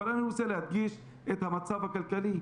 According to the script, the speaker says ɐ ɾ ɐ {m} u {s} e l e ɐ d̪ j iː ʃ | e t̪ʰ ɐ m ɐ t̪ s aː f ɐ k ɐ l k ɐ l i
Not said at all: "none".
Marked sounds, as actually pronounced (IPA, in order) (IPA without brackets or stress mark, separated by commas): n, s